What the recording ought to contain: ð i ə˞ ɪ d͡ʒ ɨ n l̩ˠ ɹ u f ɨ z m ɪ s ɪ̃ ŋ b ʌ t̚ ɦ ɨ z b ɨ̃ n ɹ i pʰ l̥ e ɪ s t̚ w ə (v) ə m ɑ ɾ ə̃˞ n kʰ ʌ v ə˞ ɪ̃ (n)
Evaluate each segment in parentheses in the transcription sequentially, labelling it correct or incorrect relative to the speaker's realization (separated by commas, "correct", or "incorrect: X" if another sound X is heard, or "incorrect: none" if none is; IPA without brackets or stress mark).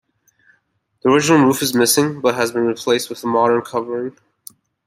incorrect: ð, incorrect: ŋ